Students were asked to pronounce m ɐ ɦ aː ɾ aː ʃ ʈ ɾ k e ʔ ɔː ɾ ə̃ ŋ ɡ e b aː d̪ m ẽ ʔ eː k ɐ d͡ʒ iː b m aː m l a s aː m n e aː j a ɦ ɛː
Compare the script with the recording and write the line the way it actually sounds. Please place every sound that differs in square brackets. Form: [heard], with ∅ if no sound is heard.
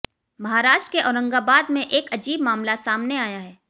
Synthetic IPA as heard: m ɐ ɦ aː ɾ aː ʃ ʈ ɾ k e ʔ ɔː ɾ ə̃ ŋ ɡ [a] b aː d̪ m ẽ ʔ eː k ɐ d͡ʒ iː b m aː m l a s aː m n e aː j a ɦ ɛː